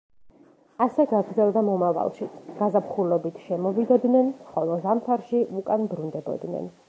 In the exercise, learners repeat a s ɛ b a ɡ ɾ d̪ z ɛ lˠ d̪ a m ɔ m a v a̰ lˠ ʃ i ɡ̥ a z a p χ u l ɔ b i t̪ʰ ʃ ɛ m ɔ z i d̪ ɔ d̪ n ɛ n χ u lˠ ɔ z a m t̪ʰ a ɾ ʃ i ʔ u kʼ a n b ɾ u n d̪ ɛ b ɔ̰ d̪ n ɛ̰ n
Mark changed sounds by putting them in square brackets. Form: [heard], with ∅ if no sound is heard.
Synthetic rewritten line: a s ɛ [ɡ] a ɡ ɾ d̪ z ɛ lˠ d̪ a m ɔ m a v a̰ lˠ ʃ i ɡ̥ a z a p χ u l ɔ b i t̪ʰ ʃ ɛ m ɔ [v] i d̪ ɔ d̪ n ɛ n χ [ɔ] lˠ ɔ z a m t̪ʰ a ɾ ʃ i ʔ u kʼ a n b ɾ u n d̪ ɛ b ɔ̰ d̪ n ɛ̰ n